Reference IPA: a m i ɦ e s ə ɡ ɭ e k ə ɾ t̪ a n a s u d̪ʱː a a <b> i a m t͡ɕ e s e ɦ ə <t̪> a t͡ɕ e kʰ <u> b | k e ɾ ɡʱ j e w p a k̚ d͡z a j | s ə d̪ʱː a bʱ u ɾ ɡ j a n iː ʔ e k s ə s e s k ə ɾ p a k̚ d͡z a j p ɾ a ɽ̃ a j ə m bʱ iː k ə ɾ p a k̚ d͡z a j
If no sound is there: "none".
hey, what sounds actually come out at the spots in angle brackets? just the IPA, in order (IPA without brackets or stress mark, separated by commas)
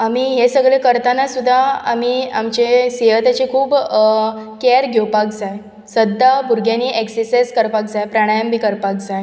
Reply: m, t̪, uː